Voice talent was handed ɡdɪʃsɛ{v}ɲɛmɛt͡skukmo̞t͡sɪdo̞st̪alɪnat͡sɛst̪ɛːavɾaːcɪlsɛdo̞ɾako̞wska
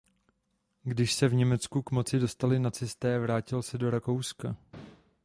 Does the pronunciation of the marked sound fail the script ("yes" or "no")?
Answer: no